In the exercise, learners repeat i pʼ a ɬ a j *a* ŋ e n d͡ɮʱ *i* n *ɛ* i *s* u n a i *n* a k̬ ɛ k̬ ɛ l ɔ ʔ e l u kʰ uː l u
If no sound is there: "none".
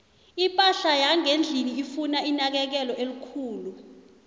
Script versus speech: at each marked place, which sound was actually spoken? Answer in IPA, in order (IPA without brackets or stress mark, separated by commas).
a, i, i, f, n